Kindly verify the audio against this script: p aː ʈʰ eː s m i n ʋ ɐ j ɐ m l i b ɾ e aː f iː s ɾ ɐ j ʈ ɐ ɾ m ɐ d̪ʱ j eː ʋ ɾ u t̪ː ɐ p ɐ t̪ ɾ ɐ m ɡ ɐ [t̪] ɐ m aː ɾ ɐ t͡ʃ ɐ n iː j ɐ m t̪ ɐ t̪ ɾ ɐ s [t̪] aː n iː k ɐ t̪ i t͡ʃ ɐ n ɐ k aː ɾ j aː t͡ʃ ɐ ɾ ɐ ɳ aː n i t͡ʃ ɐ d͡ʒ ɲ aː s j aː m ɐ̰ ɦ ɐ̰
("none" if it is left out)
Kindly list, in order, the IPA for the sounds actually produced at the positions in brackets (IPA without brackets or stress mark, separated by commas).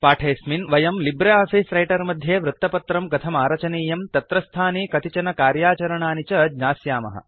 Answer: t̪ʰ, t̪ʰ